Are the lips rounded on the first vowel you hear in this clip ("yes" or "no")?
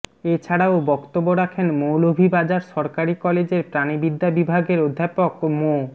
no